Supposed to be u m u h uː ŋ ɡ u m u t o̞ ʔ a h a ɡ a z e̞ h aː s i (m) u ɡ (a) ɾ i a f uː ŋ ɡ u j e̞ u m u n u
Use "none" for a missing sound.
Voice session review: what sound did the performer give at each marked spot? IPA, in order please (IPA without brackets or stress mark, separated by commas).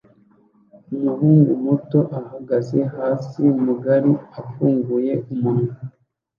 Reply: m, a